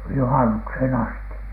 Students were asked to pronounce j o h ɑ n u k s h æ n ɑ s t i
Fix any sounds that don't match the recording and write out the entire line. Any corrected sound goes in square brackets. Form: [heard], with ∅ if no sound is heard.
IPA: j [u] h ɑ n u k s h [e] n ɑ s t i